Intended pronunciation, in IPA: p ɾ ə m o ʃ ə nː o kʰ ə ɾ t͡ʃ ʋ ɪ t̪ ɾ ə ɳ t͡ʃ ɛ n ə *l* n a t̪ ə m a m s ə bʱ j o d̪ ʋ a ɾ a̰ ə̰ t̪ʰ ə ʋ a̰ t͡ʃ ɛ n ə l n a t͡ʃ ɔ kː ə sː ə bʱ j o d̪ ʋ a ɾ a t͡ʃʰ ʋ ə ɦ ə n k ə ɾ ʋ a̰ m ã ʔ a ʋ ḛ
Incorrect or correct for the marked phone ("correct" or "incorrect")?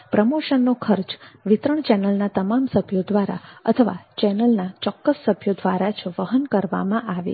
correct